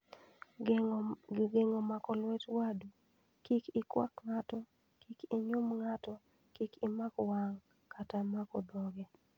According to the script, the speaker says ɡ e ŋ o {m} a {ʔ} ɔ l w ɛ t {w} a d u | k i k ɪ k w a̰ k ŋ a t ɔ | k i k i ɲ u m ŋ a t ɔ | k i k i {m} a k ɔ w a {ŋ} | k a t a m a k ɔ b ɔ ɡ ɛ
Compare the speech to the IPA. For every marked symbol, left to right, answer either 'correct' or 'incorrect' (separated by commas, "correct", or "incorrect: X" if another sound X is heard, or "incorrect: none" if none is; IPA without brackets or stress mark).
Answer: correct, incorrect: k, correct, correct, correct